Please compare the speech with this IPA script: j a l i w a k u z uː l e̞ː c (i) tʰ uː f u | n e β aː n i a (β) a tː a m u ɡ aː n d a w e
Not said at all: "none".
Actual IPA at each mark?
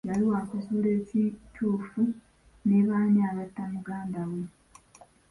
i, β

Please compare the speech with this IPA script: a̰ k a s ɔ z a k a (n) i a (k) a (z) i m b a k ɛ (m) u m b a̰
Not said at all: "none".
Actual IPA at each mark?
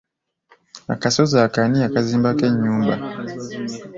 n, k, z, ɲ

